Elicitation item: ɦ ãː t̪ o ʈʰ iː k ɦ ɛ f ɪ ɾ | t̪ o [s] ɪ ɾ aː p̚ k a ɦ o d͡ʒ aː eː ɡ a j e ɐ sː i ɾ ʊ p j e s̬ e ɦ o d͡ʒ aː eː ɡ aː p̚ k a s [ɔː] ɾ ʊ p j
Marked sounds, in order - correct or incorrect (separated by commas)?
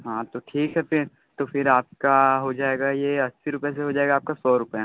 incorrect, correct